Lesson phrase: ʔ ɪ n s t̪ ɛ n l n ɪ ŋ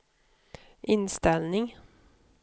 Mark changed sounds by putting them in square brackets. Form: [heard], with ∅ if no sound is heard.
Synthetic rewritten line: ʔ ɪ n s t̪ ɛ [∅] l n ɪ ŋ